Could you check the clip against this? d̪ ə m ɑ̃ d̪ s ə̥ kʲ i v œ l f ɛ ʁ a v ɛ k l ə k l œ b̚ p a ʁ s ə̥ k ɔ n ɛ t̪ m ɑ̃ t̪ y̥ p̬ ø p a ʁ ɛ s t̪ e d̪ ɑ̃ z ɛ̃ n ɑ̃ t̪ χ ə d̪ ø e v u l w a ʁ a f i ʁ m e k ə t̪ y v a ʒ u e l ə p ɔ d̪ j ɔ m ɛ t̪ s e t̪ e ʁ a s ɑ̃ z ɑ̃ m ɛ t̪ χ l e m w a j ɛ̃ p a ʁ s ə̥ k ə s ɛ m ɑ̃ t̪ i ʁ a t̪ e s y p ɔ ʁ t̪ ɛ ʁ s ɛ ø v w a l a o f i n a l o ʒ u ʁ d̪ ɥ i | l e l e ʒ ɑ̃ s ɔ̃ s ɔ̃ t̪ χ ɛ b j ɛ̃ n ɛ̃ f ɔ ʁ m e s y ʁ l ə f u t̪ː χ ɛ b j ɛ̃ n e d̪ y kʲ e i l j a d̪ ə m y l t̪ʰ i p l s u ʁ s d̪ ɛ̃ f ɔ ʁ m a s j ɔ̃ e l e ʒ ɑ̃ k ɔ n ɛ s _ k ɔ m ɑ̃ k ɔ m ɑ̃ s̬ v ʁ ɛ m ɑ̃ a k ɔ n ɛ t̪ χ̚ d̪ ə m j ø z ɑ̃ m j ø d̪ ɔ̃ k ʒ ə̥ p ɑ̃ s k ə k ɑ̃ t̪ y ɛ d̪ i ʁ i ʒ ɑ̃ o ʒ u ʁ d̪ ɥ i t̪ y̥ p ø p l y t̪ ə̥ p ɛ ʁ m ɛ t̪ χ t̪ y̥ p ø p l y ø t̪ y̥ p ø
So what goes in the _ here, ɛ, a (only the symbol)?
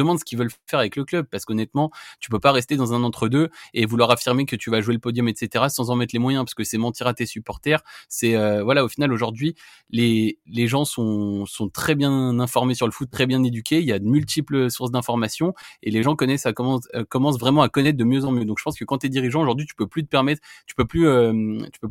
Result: a